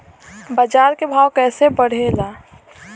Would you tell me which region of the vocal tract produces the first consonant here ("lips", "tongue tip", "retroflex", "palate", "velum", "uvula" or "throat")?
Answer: lips